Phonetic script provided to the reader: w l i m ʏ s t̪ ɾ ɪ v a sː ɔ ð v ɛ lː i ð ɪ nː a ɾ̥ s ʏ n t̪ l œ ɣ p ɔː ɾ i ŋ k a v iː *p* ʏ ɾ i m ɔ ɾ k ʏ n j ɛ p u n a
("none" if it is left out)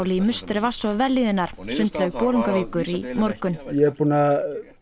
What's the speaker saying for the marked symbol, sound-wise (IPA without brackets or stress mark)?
k